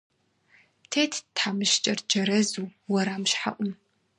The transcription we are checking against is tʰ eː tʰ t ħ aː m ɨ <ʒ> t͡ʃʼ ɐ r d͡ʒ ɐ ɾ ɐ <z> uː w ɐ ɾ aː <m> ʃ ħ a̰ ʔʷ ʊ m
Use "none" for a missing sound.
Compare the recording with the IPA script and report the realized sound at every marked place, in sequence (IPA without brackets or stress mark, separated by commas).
ʃ, z, m